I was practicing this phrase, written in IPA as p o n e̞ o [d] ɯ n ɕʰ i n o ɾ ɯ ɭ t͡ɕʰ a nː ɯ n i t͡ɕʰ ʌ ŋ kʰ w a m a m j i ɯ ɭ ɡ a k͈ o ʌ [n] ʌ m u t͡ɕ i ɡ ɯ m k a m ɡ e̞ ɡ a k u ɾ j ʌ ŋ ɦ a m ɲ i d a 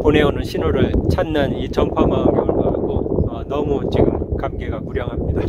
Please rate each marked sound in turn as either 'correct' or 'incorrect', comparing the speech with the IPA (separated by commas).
incorrect, correct